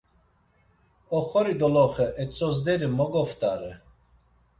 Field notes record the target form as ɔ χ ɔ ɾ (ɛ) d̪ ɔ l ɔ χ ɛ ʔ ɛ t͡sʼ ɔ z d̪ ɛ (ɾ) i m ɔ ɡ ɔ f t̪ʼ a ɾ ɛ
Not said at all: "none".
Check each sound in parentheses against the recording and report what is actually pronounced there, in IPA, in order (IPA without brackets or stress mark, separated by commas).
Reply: i, ɾ